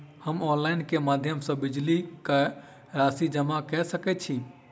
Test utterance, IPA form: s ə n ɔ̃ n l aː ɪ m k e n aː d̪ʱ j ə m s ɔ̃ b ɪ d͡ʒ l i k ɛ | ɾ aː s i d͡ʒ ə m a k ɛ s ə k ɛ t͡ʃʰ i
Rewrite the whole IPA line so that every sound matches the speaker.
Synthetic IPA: h ə m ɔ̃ n l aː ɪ n k e m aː d̪ʱ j ə m s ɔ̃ b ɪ d͡ʒ l i k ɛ | ɾ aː s i d͡ʒ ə m a k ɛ s ə k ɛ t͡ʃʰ i